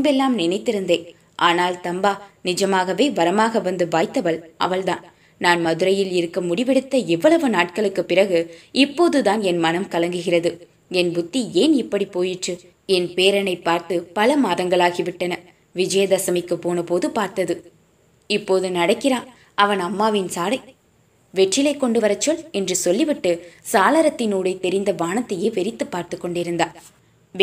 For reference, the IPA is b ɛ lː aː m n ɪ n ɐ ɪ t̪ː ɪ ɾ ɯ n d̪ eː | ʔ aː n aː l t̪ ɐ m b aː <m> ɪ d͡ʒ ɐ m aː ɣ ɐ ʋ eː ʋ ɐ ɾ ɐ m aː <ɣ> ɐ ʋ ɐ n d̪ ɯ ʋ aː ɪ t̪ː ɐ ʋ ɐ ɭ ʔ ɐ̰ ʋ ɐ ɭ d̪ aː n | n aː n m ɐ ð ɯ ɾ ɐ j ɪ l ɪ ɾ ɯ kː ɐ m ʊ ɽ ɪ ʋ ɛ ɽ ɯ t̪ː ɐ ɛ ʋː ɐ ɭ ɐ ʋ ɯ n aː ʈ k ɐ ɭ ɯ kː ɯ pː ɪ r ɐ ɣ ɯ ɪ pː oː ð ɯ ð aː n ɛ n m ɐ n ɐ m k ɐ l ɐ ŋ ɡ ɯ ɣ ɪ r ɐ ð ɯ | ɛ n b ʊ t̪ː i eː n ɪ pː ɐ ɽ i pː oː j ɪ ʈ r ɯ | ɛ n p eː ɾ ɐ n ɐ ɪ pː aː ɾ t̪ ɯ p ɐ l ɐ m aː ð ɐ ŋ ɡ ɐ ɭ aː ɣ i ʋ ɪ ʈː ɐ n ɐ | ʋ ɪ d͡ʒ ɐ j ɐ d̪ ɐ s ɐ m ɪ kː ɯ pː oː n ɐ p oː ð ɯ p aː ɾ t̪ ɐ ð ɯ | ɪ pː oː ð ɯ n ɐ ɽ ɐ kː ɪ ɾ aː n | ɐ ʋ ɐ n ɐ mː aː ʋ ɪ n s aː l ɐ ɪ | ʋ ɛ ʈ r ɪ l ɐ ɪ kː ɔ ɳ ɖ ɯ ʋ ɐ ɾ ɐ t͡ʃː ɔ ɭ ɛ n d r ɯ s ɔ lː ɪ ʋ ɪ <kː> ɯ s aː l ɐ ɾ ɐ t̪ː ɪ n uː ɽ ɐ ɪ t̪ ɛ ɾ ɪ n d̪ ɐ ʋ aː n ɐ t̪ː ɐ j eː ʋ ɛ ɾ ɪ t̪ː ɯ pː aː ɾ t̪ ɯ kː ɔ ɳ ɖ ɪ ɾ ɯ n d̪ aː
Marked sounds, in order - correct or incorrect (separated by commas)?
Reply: incorrect, correct, incorrect